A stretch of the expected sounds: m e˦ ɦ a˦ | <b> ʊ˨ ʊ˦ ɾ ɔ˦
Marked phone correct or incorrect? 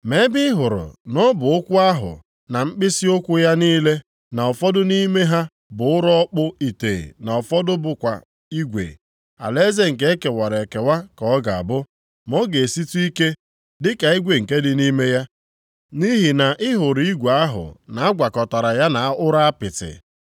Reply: correct